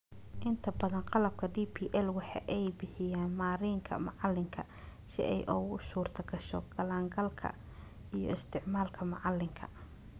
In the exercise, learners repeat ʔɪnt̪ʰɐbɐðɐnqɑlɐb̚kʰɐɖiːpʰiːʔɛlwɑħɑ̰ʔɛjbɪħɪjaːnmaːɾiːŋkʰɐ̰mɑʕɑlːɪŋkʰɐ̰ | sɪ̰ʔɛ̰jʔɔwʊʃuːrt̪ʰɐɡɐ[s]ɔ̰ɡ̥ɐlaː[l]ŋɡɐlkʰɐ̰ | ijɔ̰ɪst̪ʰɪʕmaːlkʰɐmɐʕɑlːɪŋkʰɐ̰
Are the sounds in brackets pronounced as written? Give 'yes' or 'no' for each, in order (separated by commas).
no, no